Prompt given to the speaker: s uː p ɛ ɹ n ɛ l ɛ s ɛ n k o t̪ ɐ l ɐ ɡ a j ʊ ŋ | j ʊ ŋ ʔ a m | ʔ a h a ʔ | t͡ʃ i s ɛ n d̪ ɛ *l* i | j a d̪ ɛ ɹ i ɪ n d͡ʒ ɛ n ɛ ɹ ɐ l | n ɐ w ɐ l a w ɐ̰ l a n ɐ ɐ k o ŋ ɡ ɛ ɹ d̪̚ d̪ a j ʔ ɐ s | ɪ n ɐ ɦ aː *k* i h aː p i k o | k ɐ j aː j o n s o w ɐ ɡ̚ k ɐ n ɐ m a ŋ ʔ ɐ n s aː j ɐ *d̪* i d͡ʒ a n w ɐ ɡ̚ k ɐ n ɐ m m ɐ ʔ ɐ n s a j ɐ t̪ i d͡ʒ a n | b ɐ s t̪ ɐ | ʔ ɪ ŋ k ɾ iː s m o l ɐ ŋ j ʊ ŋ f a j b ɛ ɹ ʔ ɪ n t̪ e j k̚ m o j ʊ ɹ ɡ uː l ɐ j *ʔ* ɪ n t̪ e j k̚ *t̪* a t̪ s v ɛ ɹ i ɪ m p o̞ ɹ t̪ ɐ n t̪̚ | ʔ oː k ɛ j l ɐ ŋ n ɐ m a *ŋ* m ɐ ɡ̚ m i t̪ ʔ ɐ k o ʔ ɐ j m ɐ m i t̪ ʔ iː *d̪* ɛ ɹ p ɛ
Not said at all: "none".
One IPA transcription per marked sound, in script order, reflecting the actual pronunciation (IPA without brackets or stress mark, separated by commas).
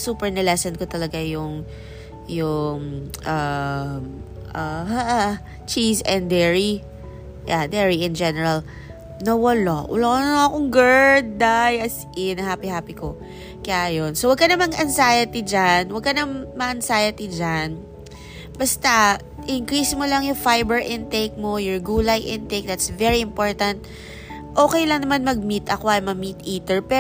ɹ, p, t̪, ʔ, d̪, n, t̪